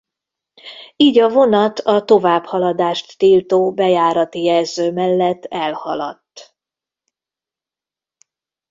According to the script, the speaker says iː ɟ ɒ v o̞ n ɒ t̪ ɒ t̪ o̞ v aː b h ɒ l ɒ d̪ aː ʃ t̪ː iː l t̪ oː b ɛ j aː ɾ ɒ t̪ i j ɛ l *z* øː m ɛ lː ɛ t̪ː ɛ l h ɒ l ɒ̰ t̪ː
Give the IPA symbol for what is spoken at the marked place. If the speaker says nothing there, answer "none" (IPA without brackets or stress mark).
z